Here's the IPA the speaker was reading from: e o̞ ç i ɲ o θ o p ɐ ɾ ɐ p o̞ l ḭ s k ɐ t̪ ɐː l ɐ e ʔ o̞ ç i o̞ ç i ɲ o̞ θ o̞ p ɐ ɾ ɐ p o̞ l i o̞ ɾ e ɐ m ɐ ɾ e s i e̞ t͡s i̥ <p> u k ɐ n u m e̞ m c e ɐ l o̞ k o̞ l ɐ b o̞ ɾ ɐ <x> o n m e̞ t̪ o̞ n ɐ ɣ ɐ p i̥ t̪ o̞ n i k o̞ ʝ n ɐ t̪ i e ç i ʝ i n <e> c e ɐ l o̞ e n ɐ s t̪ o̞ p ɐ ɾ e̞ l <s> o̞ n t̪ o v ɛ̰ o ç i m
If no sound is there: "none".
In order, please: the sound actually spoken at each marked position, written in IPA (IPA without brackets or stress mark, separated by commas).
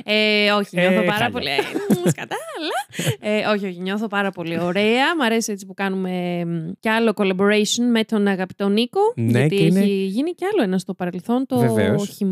p, s, i, θ